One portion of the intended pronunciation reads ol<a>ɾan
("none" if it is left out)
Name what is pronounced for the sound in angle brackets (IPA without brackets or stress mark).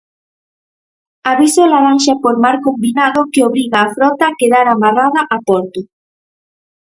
a